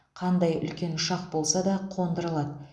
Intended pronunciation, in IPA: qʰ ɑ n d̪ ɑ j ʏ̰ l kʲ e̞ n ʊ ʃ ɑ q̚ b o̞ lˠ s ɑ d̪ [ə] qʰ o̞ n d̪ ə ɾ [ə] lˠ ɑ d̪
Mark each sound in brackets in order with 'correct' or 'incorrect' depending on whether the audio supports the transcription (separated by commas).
incorrect, correct